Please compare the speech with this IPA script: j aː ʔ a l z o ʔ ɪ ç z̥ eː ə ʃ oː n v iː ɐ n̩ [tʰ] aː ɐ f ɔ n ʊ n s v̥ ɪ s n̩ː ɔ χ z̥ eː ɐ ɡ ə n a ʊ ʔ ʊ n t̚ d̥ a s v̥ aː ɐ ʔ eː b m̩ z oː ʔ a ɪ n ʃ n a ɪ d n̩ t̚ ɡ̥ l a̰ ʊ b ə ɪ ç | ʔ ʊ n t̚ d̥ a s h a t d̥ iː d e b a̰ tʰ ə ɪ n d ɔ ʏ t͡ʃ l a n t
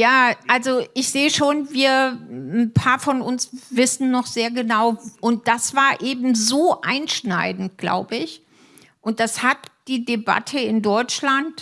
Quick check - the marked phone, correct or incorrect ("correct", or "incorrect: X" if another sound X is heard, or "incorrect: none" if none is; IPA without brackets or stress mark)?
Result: incorrect: pʰ